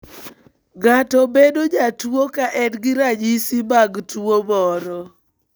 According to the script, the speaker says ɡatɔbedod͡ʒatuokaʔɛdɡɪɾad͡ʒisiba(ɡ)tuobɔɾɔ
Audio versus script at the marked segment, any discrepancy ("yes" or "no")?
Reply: no